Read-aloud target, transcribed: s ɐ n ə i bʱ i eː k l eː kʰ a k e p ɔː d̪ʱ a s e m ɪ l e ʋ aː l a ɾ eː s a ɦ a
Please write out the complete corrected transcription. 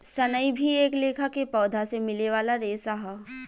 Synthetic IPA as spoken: s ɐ n ə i bʱ i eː k l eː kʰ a k e p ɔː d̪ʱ a s e m ɪ l e ʋ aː l a ɾ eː s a ɦ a